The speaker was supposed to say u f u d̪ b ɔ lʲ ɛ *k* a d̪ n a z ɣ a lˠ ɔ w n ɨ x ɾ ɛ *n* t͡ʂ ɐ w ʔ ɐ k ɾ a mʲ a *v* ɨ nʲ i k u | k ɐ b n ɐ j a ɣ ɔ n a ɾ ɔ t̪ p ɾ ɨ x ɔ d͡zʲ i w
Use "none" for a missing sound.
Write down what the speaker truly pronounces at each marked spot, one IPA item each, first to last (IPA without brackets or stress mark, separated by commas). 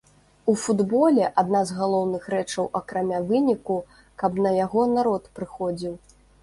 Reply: ʔ, none, v